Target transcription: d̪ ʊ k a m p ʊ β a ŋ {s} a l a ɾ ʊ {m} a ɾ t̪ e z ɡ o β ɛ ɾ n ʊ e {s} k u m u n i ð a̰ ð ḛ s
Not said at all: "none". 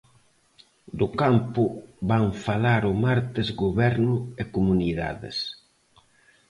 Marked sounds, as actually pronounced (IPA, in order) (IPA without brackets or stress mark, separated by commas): f, m, none